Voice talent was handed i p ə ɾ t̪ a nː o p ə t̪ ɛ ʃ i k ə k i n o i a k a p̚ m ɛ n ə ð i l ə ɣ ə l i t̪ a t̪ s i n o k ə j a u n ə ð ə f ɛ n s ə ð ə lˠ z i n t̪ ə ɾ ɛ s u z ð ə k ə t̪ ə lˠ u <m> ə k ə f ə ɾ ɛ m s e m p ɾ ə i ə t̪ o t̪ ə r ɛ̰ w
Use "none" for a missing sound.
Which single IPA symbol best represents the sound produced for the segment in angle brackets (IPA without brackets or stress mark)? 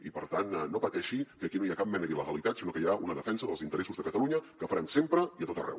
ɲ